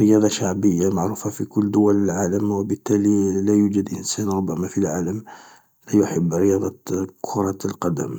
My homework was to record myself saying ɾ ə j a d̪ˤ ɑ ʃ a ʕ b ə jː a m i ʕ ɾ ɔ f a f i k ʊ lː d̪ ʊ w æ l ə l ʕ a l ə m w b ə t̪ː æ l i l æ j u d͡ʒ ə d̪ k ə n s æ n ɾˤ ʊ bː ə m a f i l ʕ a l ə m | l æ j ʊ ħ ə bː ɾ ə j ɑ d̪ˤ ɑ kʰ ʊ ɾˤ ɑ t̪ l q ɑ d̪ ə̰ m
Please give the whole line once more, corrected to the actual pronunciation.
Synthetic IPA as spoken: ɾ ə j ɑ d̪ˤ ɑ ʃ a ʕ b ə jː a m a ʕ ɾ u f a f i k ʊ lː d̪ ʊ w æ l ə l ʕ a l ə m w b ə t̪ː æ l i l æ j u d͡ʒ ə d̪ ʔ ə n s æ n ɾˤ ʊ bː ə m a f i l ʕ a l ə m | l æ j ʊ ħ ə bː ɾ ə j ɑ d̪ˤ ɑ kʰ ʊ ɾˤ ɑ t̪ l q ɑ d̪ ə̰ m